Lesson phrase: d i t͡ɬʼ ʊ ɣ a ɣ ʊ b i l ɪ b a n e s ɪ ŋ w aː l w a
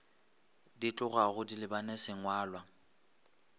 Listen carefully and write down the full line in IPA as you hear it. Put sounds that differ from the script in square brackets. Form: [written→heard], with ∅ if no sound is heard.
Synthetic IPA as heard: d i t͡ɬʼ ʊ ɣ a ɣ ʊ [b→d] i l ɪ b a n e s ɪ ŋ w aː l w a